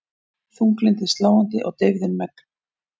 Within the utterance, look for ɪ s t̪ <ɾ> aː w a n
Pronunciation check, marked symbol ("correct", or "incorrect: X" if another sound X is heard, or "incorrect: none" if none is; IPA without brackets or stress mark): incorrect: l